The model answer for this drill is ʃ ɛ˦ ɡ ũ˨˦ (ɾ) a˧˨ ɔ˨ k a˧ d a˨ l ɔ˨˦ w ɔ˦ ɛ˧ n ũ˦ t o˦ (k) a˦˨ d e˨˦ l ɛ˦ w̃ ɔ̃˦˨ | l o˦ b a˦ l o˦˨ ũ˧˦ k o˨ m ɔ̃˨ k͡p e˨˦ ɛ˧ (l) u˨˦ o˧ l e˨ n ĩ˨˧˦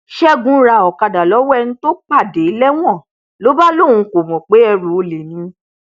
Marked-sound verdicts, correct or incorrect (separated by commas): correct, incorrect, incorrect